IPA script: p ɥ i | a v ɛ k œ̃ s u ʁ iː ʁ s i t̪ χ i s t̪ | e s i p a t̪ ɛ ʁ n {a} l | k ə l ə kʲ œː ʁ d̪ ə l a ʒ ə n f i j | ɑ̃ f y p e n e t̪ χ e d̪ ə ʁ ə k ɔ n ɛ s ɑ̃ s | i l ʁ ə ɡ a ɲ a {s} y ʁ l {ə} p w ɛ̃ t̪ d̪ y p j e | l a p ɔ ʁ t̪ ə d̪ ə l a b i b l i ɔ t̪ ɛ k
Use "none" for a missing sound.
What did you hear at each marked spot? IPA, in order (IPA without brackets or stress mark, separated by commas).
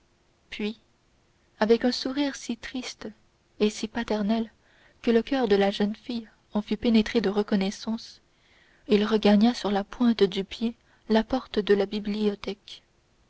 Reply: ɛ, s, a